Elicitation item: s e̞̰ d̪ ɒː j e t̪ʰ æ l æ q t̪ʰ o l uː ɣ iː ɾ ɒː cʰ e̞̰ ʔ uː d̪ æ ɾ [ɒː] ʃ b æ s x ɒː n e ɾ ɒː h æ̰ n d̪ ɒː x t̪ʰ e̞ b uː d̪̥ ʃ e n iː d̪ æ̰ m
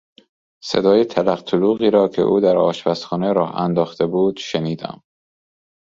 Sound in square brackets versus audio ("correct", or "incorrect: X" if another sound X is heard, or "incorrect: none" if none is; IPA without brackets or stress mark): correct